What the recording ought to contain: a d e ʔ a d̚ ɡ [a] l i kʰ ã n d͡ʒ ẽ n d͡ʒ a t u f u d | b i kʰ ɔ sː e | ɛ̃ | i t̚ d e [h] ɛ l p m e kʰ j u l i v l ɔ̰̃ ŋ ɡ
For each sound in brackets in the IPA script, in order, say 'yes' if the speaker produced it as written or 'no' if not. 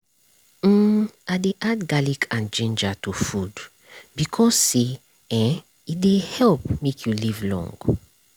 yes, yes

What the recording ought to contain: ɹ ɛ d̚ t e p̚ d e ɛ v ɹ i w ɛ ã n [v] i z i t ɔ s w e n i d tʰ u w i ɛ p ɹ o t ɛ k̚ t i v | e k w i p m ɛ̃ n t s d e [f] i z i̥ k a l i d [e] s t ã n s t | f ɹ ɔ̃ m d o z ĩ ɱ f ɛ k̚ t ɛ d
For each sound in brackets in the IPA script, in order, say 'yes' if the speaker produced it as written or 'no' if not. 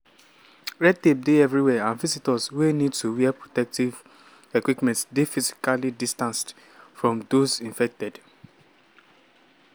yes, yes, no

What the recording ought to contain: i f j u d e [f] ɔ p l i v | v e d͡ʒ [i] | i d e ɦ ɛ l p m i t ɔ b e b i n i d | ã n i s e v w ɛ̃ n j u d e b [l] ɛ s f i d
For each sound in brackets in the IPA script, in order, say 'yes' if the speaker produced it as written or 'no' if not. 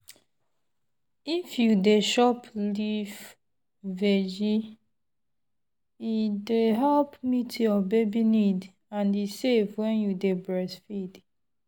no, yes, no

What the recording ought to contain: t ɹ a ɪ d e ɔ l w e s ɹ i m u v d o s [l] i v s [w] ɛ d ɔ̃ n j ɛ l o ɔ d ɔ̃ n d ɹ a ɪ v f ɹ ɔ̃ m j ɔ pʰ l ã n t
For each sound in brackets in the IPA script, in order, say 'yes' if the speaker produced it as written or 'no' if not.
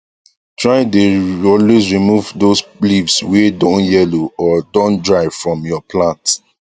yes, yes

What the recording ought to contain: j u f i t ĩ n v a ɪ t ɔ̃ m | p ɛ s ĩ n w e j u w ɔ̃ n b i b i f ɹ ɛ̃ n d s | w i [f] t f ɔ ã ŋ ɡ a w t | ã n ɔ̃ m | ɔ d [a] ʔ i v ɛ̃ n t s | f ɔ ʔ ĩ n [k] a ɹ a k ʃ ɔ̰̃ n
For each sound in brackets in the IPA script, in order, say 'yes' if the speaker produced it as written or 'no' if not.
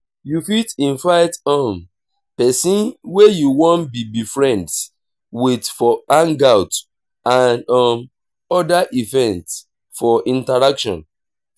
no, yes, no

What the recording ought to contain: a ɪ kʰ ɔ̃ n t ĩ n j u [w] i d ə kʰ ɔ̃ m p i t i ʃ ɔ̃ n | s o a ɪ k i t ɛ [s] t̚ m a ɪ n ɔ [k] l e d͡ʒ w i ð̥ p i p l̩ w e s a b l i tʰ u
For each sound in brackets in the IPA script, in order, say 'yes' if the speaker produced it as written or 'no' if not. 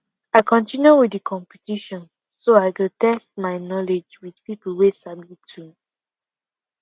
yes, yes, no

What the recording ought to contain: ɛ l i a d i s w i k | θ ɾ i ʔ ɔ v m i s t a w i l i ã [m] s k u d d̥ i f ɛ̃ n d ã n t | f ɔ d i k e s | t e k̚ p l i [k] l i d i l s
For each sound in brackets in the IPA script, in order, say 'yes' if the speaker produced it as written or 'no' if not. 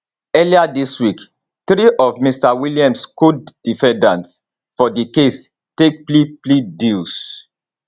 yes, no

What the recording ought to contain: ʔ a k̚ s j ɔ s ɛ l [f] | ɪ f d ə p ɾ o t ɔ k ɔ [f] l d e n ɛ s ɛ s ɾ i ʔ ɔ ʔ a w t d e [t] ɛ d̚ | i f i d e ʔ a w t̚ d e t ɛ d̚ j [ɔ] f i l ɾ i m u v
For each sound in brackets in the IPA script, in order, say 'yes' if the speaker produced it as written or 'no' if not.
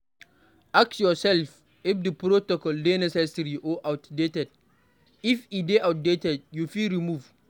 yes, no, yes, no

